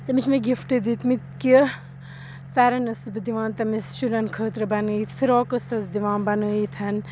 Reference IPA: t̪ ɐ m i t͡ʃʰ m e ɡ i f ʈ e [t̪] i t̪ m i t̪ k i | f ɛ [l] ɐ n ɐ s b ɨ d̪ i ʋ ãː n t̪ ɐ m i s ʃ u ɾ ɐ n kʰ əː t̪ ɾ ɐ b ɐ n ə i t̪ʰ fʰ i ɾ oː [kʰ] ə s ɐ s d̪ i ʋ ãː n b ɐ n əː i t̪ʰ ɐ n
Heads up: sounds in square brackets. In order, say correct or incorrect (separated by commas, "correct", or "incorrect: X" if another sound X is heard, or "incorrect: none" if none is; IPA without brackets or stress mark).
incorrect: d̪, incorrect: ɾ, incorrect: k